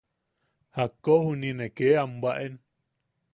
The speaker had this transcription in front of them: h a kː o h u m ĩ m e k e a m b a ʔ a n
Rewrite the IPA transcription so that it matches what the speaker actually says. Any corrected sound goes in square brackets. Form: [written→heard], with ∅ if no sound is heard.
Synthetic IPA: h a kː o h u [m→n] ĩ [m→n] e k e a m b a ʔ [a→e] n